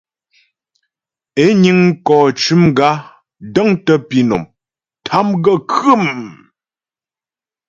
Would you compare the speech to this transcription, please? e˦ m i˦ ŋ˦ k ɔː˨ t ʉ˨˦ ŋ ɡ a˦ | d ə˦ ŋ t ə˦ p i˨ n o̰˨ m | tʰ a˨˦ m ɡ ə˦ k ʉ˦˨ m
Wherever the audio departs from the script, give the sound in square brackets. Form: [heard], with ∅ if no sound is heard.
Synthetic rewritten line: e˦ [ɲ] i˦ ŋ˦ k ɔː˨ [t͡ʃ] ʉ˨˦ [m] ɡ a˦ | d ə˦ ŋ t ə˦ p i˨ n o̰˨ m | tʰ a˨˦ m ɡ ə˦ k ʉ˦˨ m

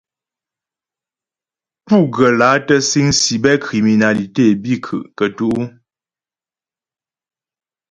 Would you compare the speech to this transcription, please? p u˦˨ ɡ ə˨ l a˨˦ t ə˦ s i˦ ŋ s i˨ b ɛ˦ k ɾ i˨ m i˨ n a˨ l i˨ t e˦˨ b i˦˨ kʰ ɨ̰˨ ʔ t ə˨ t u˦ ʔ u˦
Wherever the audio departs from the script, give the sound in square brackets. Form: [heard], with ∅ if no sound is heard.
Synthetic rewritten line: p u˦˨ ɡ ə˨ l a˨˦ t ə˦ s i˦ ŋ s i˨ b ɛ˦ k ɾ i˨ m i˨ n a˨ l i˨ t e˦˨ b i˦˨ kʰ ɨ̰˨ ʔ [k] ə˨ t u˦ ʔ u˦

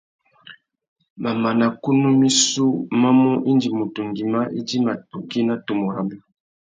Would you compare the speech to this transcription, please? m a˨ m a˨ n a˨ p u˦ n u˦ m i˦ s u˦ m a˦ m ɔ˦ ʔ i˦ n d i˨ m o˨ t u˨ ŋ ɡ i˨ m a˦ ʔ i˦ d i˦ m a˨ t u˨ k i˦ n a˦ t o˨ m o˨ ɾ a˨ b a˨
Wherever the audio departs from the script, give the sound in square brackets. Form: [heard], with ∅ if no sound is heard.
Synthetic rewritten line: m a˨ m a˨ n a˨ [k] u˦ n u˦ m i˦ s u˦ m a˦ m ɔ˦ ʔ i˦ n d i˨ m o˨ t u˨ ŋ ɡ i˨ m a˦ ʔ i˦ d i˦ m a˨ t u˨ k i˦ n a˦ t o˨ m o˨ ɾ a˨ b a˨

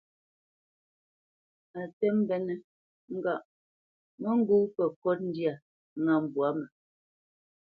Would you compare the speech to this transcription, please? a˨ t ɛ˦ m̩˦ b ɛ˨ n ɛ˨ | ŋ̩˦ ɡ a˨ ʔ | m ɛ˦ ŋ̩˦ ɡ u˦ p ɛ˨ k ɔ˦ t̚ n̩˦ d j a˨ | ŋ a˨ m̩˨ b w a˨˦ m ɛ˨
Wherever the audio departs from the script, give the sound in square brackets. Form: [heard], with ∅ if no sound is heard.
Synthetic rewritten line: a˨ t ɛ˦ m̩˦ b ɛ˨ n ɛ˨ | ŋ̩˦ ɡ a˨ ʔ | m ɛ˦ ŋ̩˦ ɡ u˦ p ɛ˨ k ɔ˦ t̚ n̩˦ d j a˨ | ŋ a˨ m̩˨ b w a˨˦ m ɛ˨

